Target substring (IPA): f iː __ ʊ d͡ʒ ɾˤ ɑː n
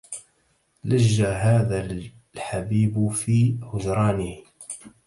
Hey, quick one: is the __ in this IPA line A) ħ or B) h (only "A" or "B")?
B